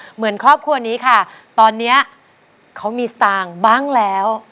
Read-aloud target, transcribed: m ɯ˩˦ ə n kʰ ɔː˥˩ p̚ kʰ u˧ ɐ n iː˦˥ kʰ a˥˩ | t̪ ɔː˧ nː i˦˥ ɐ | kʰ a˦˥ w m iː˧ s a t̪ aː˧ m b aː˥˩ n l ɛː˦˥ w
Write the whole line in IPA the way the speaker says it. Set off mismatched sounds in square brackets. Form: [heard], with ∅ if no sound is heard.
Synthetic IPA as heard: m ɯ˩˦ ə n kʰ ɔː˥˩ p̚ kʰ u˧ ɐ n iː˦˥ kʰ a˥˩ | t̪ ɔː˧ nː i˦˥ ɐ | kʰ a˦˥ w m iː˧ s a t̪ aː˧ [ŋ] b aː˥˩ [ŋ] l ɛː˦˥ w